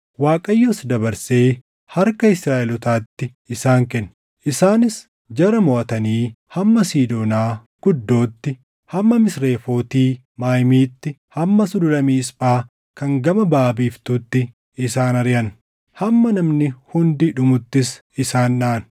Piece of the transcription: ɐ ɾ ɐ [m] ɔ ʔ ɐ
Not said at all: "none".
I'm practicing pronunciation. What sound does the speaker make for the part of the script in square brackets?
m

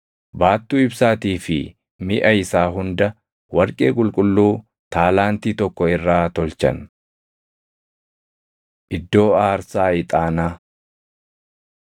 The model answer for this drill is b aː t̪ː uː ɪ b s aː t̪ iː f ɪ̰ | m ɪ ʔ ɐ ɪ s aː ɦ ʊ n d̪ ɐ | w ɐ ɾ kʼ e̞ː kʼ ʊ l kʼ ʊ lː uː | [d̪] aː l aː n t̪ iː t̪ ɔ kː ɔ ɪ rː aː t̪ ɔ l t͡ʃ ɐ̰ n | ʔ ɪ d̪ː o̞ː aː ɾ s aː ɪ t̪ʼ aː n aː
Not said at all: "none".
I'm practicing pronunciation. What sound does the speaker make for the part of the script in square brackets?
t̪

